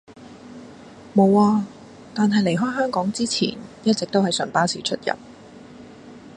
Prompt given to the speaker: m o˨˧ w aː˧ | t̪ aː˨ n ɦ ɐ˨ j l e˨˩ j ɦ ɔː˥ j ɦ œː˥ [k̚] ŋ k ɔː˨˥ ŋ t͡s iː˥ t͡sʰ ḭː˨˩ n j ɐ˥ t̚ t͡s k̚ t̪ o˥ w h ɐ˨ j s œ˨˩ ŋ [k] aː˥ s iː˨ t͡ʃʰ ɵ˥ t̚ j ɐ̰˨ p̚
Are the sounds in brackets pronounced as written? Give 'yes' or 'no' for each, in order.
no, no

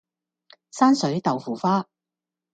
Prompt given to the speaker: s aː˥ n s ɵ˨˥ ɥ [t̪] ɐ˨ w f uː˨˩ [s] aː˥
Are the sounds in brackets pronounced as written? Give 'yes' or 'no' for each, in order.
yes, no

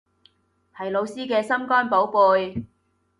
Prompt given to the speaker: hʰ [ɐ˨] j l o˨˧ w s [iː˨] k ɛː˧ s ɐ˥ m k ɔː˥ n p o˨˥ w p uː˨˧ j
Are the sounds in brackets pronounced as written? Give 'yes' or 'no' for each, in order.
yes, no

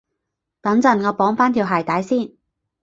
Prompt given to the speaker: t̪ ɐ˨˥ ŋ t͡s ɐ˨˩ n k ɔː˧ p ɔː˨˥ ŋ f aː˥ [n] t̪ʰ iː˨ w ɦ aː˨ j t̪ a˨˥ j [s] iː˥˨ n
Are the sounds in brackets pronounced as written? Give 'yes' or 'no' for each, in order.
yes, yes

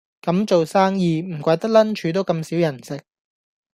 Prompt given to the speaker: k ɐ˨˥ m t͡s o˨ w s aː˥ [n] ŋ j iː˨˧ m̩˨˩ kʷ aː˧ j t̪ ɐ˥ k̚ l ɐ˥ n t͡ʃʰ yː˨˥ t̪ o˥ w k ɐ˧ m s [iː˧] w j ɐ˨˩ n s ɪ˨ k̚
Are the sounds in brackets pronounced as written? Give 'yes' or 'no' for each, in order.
no, no

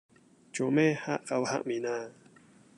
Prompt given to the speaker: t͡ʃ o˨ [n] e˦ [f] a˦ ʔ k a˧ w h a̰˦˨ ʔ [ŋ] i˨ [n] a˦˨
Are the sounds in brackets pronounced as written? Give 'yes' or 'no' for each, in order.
no, no, no, yes

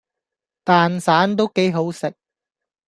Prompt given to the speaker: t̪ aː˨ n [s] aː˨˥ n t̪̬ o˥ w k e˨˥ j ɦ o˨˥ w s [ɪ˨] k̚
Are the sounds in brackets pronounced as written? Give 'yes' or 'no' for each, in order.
yes, yes

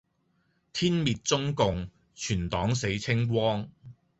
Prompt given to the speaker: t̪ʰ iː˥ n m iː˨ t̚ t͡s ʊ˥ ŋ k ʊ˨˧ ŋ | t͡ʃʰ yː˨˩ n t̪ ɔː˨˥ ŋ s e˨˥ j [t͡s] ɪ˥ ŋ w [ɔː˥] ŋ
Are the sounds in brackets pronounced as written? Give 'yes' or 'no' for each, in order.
no, yes

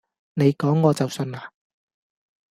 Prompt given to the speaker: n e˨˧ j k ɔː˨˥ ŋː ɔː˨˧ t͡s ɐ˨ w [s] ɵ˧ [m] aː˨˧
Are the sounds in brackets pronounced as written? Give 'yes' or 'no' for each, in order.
yes, no

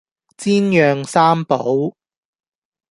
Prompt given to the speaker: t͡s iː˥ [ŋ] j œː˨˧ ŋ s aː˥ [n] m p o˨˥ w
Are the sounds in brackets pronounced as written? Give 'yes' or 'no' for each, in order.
no, no

